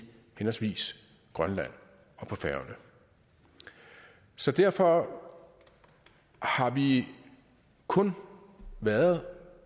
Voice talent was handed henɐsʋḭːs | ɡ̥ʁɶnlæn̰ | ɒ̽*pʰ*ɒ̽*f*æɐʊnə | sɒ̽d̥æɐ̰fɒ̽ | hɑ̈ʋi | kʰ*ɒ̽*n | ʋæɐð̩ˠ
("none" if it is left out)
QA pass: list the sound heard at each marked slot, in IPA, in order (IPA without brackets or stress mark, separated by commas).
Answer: pʰ, f, ɔ̽